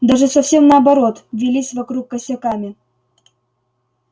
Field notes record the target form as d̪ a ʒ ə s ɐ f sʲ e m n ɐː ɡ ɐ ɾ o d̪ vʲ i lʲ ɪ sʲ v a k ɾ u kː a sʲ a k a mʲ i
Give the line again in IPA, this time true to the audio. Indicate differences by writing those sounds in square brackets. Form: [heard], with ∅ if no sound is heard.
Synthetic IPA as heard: d̪ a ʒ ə s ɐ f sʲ e m n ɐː [b] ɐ ɾ o [t̪] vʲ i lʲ [i] sʲ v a k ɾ u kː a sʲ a k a mʲ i